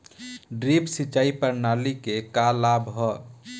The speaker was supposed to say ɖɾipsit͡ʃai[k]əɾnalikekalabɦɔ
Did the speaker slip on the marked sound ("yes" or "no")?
yes